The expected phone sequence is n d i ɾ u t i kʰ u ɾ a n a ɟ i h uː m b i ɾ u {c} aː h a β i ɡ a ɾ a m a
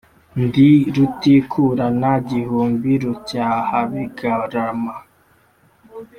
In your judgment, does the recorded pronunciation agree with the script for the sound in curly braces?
yes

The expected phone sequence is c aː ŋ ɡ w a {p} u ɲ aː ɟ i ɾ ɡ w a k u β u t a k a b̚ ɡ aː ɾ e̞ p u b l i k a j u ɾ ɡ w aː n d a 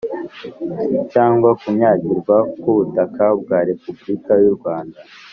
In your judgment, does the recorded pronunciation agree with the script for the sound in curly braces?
no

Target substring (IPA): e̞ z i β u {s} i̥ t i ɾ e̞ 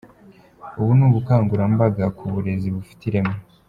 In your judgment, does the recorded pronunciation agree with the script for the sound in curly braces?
no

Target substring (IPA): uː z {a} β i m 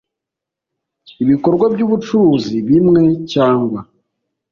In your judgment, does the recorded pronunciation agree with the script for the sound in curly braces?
no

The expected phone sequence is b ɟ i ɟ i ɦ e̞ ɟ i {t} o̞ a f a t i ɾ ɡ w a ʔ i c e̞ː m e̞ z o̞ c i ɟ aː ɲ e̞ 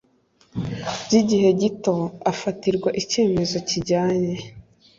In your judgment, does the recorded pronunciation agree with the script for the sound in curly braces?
yes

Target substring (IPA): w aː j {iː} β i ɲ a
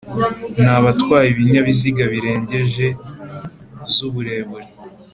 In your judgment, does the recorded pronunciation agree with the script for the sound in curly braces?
no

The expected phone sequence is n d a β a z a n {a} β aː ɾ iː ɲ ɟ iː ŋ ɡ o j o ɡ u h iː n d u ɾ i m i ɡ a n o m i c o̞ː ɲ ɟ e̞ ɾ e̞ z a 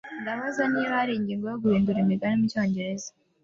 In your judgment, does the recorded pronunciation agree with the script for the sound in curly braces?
no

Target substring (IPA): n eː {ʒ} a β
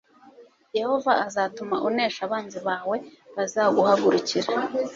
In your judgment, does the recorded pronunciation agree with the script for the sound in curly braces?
no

